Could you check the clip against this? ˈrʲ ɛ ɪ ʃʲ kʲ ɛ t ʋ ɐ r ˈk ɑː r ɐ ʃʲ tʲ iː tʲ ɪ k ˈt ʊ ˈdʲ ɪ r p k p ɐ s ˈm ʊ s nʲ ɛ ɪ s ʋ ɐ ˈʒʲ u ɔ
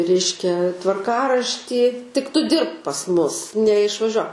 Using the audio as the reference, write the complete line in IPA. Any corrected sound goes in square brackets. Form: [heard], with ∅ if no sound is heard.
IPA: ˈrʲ ɛ ɪ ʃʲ kʲ ɛ t ʋ ɐ r ˈk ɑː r ɐ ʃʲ tʲ iː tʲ ɪ k ˈt ʊ ˈdʲ ɪ r p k p ɐ s ˈm ʊ s nʲ ɛ ɪ [ʃ] ʋ ɐ ˈʒʲ u ɔ